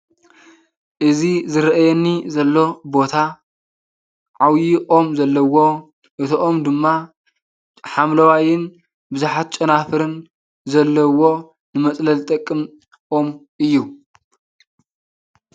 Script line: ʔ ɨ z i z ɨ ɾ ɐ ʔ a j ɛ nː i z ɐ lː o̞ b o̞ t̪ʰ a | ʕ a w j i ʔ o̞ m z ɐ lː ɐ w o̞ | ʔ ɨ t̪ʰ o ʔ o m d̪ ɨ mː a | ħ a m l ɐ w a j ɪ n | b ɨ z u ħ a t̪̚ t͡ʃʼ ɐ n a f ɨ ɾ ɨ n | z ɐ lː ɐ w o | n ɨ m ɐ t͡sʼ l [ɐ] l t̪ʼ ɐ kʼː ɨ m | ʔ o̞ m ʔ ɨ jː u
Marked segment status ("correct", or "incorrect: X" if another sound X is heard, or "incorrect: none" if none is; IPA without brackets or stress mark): correct